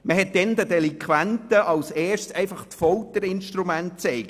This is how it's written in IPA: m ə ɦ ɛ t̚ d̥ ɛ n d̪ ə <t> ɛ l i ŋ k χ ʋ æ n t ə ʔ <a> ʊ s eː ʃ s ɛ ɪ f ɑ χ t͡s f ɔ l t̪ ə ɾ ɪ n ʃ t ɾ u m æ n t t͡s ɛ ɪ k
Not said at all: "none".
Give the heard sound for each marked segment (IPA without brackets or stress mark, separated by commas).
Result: d, ɑ